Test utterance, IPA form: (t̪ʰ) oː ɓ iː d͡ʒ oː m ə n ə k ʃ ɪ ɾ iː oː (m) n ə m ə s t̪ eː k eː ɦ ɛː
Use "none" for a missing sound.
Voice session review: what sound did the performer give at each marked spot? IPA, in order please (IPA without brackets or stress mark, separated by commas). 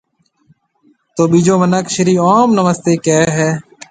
t̪, m